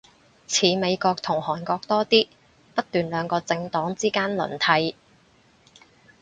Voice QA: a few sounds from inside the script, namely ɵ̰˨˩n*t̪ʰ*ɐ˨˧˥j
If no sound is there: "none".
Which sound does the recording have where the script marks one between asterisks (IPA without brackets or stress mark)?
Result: t̪ʰ